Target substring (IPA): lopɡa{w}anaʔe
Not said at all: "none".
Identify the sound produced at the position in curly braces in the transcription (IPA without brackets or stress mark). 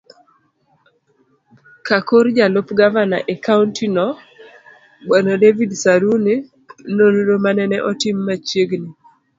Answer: v